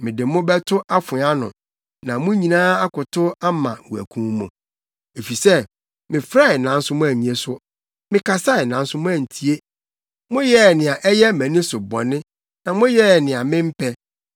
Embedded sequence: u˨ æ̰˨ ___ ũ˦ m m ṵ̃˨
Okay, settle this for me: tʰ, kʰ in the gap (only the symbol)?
kʰ